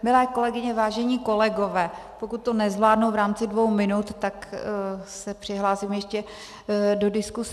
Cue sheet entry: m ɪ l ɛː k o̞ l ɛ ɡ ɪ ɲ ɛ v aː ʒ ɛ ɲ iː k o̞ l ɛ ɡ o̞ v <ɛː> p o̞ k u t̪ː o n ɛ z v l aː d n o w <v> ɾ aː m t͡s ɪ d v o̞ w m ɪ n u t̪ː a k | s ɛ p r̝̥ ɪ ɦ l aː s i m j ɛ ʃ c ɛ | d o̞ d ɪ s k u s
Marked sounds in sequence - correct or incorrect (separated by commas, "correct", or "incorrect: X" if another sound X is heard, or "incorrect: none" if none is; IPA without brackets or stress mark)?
correct, correct